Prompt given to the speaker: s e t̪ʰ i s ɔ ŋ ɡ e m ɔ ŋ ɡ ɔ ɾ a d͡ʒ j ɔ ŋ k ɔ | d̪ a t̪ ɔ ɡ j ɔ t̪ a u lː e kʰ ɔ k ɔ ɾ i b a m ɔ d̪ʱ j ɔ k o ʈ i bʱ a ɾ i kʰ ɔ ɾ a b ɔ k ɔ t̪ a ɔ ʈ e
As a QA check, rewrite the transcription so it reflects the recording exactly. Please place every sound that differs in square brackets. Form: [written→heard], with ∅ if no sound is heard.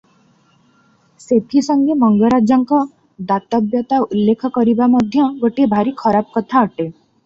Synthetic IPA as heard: s e t̪ʰ i s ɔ ŋ ɡ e m ɔ ŋ ɡ ɔ ɾ a d͡ʒ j ɔ ŋ k ɔ | d̪ a t̪ ɔ [ɡ→b] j ɔ t̪ a u lː e kʰ ɔ k ɔ ɾ i b a m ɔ d̪ʱ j ɔ [k→ɡ] o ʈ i bʱ a ɾ i kʰ ɔ ɾ a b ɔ k ɔ [t̪→t̪ʰ] a ɔ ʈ e